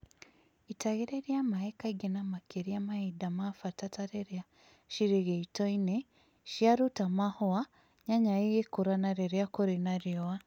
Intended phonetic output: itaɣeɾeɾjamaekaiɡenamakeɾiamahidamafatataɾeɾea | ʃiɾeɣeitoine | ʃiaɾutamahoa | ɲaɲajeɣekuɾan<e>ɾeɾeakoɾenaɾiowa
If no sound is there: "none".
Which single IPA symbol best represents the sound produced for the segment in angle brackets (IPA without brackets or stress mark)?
a